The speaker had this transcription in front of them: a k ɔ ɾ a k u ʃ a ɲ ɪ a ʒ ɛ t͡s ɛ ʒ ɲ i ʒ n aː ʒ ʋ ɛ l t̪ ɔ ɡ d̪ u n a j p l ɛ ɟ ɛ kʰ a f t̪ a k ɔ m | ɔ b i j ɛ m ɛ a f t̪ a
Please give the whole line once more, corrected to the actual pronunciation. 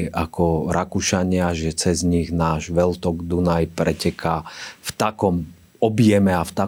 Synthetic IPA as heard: a k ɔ ɾ a k u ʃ a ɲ ɪ a ʒ ɛ t͡s ɛ z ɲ i ɣ n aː ʒ ʋ ɛ l t̪ ɔ ɡ d̪ u n a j p ɾ ɛ c ɛ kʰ a f t̪ a k ɔ m | ɔ b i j ɛ m ɛ a f t̪ a